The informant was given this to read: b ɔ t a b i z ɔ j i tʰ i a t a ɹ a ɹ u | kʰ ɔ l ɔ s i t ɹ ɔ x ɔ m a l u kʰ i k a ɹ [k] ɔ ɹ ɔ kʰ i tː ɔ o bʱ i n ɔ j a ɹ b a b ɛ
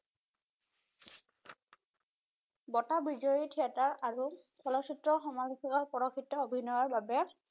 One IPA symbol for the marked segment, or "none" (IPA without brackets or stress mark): p